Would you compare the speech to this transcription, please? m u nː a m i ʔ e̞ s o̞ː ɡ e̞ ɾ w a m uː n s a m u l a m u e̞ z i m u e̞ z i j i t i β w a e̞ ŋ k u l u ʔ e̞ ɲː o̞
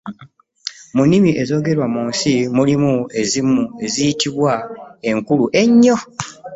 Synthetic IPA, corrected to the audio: m u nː i m i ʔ e̞ z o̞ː ɡ e̞ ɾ w a m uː n s i m u l i m u e̞ z i m u e̞ z i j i t i β w a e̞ ŋ k u l u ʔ e̞ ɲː o̞